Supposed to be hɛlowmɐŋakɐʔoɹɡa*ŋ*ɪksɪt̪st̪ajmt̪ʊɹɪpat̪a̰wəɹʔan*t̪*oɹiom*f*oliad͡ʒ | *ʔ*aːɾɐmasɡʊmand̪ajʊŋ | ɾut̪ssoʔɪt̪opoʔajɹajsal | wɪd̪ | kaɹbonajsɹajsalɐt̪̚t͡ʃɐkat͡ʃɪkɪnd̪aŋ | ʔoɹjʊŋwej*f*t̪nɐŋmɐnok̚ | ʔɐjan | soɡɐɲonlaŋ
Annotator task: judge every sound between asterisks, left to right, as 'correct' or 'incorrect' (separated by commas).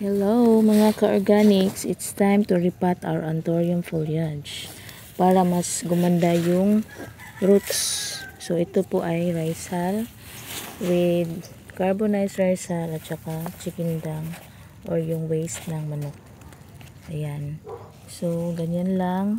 incorrect, correct, correct, incorrect, incorrect